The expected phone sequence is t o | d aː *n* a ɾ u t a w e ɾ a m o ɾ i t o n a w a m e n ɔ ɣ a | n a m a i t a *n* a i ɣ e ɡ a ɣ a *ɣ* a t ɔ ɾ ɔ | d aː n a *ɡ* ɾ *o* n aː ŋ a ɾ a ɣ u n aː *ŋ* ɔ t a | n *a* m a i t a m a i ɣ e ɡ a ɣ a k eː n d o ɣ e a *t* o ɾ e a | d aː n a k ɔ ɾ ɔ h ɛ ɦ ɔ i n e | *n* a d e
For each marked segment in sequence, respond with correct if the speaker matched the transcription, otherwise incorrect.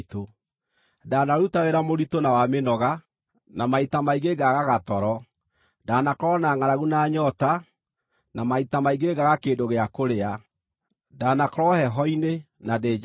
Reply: correct, incorrect: m, correct, incorrect: k, incorrect: ɔ, incorrect: ɲ, correct, incorrect: k, correct

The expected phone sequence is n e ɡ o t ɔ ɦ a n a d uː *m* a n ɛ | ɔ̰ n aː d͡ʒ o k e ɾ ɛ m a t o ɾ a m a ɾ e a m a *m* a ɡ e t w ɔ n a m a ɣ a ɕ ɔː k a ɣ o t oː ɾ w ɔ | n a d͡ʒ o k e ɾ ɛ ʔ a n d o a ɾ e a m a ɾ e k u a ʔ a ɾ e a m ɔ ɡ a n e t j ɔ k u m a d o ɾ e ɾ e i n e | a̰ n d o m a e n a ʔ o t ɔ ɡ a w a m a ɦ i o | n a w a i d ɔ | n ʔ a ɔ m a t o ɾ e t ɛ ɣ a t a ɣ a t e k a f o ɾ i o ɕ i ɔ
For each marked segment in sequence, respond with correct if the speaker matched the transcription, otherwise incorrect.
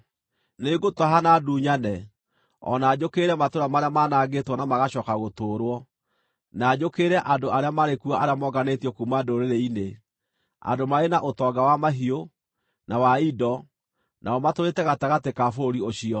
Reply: incorrect: ɲ, incorrect: n

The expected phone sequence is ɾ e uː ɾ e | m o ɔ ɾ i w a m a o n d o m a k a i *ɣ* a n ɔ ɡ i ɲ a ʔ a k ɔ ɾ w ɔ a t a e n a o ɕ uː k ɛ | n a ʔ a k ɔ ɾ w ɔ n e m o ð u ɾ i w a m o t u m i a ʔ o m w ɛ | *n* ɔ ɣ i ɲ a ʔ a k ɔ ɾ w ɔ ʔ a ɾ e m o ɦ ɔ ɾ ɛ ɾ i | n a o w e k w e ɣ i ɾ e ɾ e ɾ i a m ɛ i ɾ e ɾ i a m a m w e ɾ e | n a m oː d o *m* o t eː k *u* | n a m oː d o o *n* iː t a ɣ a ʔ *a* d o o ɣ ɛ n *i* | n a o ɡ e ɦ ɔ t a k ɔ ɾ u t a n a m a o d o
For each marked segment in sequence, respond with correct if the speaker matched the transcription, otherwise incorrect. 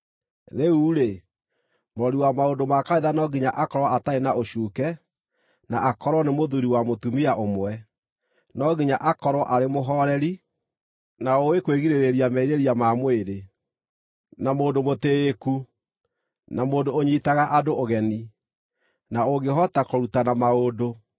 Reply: incorrect: ð, correct, correct, correct, incorrect: ɲ, correct, correct

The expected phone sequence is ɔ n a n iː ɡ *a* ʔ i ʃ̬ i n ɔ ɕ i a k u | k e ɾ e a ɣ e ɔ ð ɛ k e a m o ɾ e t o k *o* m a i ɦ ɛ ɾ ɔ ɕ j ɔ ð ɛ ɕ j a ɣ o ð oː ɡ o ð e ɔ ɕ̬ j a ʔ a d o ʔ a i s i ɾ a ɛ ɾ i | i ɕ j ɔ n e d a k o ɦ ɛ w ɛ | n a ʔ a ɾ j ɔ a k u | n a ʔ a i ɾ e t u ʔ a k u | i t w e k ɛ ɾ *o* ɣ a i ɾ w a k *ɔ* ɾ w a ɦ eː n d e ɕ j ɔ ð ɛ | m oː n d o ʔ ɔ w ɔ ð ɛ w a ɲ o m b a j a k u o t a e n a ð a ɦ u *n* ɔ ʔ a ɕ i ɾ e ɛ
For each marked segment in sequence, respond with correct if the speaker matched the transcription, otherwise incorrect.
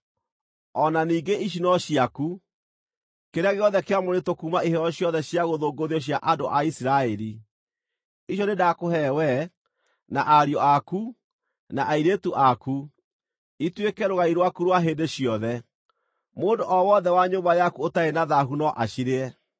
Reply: incorrect: e, incorrect: u, correct, incorrect: u, correct

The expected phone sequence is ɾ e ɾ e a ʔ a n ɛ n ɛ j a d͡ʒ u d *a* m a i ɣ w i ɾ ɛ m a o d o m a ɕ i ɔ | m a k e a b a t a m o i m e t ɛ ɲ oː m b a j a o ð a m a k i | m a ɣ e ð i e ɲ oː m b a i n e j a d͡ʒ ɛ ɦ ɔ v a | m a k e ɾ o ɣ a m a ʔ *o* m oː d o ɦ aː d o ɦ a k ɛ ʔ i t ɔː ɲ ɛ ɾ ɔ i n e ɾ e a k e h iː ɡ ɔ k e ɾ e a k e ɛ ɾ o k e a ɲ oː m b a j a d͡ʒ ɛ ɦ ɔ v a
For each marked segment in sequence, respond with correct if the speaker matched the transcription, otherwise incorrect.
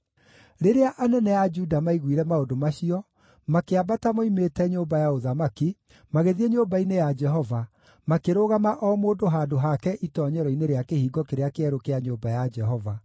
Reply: correct, incorrect: ɔ

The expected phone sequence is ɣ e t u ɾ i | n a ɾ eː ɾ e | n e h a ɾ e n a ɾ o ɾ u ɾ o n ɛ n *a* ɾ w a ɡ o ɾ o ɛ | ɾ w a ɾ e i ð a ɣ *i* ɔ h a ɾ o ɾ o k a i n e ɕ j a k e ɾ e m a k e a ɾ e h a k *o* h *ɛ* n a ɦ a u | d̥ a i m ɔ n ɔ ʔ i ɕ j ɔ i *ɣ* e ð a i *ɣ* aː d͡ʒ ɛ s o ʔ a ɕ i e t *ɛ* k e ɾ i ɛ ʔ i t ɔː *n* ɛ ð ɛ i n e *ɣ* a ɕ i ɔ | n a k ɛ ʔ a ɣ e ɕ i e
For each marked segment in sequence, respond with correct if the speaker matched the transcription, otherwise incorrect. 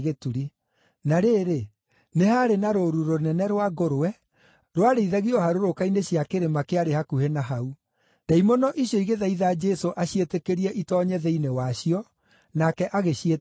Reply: incorrect: ɛ, correct, incorrect: u, incorrect: e, correct, incorrect: ð, incorrect: e, incorrect: ɲ, incorrect: w

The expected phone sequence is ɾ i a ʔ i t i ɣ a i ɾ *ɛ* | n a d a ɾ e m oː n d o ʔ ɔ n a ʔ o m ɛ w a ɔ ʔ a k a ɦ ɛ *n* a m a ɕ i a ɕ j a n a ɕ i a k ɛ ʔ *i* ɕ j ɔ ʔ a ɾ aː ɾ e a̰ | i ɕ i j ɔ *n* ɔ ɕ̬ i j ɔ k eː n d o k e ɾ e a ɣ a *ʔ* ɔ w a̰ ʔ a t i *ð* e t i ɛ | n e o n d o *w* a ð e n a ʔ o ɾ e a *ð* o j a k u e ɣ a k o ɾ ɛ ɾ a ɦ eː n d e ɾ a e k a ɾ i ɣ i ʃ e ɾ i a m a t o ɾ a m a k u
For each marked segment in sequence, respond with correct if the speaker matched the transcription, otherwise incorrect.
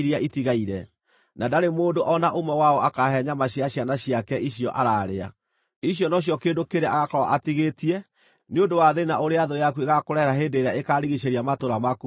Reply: correct, incorrect: ɲ, correct, correct, incorrect: k, incorrect: ɣ, correct, correct

